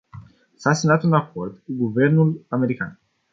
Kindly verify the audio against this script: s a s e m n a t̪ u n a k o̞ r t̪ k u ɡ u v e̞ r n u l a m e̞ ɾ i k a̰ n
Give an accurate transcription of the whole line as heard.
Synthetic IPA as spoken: s a s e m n a t̪ u n a k o̞ r d̪ k u ɡ u v e̞ r n u l a m e̞ ɾ i k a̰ n